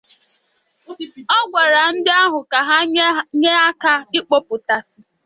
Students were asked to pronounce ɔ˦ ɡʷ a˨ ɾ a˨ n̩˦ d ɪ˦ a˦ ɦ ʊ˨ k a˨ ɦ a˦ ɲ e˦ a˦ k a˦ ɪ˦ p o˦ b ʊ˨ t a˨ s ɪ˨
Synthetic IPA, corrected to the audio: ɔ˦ ɡʷ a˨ ɾ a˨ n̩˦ d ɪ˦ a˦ ɦ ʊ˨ k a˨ ɦ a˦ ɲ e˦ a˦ k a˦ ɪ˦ k͡p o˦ p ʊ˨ t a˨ s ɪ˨